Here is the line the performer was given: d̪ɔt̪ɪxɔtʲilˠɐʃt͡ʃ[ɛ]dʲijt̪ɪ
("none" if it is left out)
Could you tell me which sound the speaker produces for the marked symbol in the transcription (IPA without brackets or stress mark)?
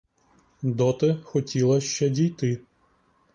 ɛ